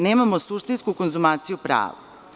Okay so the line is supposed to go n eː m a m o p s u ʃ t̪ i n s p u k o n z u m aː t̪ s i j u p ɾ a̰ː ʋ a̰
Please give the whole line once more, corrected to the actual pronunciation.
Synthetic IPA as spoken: n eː m a m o s u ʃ t̪ i n s k u k o n z u m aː t̪ s i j u p ɾ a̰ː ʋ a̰